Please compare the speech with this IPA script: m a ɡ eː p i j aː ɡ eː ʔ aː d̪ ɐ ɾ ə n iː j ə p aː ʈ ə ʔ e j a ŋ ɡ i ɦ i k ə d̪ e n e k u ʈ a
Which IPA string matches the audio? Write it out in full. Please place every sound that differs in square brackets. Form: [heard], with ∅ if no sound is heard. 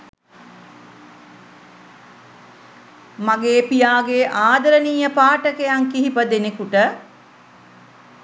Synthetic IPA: m a ɡ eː p i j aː ɡ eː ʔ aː d̪ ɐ ɾ ə n iː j ə p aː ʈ ə [k] e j a ŋ [k] i ɦ i [p] ə d̪ e n e k u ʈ [ə]